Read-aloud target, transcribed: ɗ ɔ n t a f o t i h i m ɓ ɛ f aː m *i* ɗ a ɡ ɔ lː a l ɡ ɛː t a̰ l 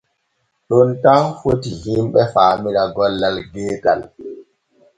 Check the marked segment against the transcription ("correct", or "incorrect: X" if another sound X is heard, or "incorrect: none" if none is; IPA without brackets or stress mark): correct